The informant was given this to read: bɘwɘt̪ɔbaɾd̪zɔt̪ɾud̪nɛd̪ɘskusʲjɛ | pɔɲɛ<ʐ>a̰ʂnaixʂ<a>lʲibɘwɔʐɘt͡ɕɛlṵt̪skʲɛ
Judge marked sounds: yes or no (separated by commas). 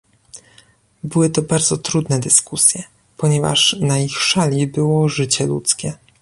no, yes